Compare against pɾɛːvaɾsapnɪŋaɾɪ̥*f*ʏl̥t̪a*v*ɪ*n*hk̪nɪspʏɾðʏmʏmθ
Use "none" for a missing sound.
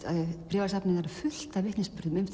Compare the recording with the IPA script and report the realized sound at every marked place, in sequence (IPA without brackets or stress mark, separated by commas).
f, v, none